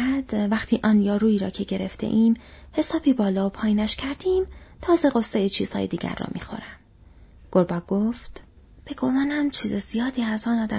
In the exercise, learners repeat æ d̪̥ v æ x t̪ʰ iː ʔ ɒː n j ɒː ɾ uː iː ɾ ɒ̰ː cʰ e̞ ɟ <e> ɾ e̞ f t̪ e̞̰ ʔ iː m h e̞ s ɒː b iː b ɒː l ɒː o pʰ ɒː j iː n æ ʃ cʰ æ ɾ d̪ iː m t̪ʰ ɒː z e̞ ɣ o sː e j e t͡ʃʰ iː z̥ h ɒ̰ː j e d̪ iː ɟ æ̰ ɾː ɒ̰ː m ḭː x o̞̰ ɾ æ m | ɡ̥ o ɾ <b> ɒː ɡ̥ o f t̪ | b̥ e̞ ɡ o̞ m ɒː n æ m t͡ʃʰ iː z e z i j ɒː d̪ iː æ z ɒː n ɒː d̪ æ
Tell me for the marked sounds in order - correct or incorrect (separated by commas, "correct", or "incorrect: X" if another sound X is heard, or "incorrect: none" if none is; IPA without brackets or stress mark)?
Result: correct, correct